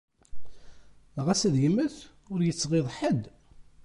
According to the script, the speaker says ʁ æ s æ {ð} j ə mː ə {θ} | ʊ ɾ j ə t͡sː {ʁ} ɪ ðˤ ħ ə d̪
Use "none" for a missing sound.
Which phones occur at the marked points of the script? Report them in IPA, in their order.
ð, θ, ʁ

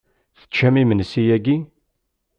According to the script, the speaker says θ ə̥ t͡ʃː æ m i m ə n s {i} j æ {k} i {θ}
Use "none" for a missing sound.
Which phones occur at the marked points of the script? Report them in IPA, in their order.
i, ɡ, none

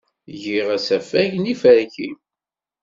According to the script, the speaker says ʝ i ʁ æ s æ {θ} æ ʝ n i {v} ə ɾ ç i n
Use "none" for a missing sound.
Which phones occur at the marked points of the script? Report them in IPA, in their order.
f, f

